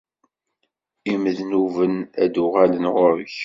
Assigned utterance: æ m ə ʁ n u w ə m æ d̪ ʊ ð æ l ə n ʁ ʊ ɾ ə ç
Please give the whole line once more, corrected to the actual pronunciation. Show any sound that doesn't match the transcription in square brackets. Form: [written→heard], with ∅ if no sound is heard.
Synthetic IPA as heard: [æ→i] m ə [ʁ→ð] n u [w→v] ə [m→n] æ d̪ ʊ [ð→ʁ] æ l ə n ʁ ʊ ɾ ə ç